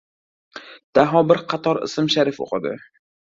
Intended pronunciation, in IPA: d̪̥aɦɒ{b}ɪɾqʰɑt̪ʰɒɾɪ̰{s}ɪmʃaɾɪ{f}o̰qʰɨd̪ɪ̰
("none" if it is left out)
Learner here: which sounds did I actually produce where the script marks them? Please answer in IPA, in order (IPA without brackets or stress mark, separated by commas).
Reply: b, s, f